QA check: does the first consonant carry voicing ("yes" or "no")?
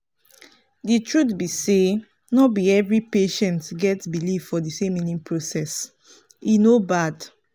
yes